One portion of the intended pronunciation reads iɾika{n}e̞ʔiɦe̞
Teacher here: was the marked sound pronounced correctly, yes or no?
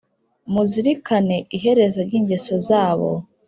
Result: yes